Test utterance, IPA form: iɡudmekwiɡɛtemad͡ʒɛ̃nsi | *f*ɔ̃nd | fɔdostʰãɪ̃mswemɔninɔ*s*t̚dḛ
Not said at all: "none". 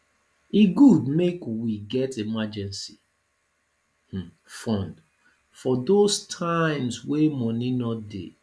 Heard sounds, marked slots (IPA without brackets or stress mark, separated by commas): f, none